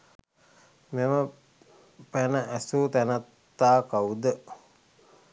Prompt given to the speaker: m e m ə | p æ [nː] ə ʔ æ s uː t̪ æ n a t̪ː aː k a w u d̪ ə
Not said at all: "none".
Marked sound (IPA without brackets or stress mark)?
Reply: n